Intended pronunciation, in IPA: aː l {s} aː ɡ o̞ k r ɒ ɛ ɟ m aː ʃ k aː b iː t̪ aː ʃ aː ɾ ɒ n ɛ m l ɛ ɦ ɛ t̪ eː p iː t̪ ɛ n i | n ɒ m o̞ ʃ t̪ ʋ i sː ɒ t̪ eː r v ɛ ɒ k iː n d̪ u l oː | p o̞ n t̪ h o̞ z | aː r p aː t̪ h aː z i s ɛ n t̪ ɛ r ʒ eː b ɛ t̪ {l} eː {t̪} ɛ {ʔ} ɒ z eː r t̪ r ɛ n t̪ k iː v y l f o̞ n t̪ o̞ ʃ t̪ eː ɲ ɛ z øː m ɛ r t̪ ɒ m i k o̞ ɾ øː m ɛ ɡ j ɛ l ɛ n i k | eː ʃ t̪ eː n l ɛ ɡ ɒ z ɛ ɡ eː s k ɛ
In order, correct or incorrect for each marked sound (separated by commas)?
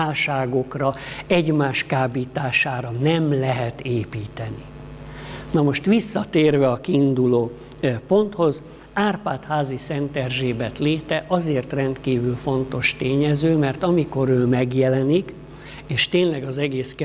incorrect, correct, correct, correct